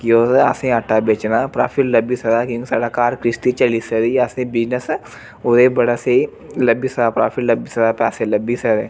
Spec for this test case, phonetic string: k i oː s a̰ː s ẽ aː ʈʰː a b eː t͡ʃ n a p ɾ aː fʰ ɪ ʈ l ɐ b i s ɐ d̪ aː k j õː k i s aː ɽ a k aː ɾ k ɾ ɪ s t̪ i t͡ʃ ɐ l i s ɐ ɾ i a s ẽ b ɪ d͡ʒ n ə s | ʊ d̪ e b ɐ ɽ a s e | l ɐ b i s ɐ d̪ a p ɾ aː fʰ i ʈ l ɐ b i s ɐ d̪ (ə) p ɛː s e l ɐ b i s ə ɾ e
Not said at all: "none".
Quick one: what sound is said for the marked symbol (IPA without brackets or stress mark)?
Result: a